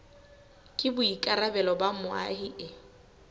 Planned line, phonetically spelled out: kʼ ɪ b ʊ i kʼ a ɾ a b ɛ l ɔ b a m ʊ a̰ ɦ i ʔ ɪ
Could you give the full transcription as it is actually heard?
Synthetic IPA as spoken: kʼ ɪ b ʊ i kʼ a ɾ a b ɛ l ɔ b a m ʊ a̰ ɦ i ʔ ɪ